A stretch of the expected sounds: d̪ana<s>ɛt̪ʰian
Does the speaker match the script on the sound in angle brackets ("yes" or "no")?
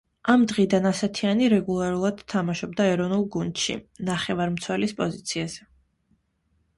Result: yes